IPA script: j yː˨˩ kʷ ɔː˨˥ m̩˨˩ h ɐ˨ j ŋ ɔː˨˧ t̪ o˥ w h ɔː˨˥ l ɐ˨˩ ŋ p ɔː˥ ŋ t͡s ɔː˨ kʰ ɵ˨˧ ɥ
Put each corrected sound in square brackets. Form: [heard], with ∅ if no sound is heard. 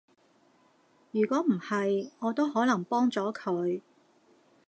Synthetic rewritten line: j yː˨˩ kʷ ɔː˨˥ m̩˨˩ h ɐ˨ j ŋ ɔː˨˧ t̪ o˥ w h ɔː˨˥ l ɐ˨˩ ŋ p ɔː˥ ŋ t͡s [ɔː˨˥] kʰ ɵ˨˧ ɥ